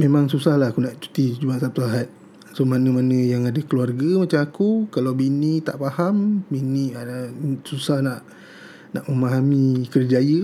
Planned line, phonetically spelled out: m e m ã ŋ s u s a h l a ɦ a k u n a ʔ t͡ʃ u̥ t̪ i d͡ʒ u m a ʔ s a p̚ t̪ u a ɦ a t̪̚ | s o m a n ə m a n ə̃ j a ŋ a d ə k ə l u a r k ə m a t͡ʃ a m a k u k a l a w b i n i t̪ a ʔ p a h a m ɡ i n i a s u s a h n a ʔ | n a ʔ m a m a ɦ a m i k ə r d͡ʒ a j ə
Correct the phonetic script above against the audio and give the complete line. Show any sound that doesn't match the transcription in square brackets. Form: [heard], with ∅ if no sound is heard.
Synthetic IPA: m e m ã ŋ s u s a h l a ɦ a k u n a ʔ t͡ʃ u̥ t̪ i d͡ʒ u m a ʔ s a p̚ t̪ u a ɦ a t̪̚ | s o m a n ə m a n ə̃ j a ŋ a d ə k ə l u a r [ɡ] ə m a t͡ʃ a m a k u k a l a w b i n i t̪ a ʔ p a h a m [b] i n i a s u s a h n a ʔ | n a ʔ m [ə] m a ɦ a m i k ə r d͡ʒ a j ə